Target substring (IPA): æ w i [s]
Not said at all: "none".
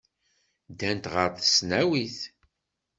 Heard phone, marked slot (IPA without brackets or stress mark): θ